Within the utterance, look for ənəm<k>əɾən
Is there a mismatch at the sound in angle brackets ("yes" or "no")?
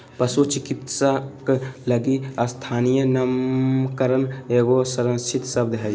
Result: no